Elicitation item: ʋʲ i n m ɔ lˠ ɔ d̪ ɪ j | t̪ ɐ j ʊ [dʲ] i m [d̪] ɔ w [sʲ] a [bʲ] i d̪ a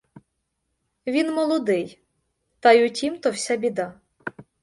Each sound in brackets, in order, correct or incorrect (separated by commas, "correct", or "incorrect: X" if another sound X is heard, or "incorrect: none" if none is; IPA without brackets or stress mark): incorrect: tʲ, incorrect: t̪, correct, correct